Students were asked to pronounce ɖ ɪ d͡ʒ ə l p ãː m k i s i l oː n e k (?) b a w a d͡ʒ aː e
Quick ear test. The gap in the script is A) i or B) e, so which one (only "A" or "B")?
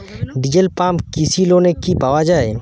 A